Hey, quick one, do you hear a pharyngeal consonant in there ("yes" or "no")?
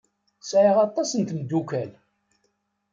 yes